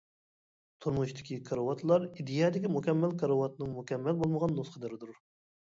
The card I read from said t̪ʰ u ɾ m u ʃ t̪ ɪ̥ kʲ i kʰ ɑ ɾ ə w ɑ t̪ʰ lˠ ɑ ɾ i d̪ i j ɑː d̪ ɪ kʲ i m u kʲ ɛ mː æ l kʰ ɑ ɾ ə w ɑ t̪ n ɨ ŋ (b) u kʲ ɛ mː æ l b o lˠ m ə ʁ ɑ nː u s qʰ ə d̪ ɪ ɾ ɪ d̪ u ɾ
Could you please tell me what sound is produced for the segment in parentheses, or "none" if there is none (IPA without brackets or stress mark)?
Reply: m